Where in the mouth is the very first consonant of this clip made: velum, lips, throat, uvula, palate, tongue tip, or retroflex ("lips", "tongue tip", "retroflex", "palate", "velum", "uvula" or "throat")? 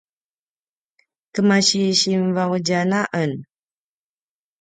velum